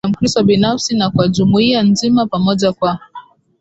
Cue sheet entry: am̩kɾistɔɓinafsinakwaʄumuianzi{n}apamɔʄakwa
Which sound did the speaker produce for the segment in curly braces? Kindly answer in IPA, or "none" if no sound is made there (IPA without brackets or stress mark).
m